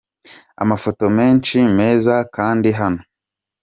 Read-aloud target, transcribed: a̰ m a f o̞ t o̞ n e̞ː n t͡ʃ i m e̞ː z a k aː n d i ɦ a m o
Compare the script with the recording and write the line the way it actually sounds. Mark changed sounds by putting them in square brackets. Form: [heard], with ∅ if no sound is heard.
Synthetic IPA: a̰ m a f o̞ t o̞ [m] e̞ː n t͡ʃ i m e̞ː z a k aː n d i ɦ a [n] o